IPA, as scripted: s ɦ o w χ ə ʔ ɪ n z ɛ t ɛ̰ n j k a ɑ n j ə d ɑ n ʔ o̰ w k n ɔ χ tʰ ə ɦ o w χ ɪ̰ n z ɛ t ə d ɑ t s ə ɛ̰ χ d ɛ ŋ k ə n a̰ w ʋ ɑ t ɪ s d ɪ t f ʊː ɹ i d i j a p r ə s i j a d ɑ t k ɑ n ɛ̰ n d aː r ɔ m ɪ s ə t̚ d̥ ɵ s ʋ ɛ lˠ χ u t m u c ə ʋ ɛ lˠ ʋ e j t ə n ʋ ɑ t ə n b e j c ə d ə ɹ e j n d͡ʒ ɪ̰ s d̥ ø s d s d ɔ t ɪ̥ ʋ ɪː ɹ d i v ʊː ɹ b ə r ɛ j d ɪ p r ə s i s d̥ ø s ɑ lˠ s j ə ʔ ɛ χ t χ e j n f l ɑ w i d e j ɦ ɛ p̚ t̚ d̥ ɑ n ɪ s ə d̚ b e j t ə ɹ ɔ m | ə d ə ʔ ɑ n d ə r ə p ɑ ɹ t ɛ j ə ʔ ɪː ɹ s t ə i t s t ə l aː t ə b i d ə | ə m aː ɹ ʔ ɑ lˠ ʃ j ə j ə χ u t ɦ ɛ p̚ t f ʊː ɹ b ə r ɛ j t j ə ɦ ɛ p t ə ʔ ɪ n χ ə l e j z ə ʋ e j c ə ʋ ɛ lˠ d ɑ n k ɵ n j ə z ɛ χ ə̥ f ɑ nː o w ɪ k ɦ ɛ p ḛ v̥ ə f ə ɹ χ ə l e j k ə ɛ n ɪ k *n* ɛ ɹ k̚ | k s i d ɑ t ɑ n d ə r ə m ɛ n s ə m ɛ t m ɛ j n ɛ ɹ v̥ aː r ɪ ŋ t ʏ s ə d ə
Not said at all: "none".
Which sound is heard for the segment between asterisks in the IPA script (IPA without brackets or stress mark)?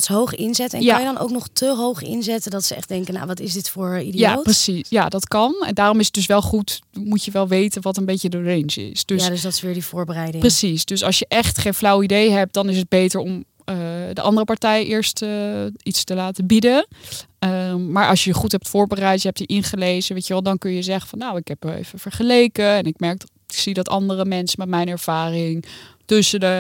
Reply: m